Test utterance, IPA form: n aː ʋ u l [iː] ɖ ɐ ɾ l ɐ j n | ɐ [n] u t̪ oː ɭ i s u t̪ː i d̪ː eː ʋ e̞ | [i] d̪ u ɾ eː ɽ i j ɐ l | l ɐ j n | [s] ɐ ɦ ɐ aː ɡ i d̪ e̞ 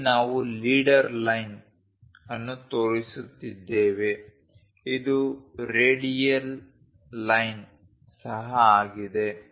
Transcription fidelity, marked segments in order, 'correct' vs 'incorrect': correct, incorrect, correct, correct

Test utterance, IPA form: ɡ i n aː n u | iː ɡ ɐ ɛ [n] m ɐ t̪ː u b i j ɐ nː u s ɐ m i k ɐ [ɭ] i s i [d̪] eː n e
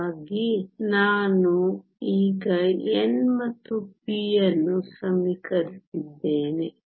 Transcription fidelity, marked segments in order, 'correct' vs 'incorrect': correct, incorrect, incorrect

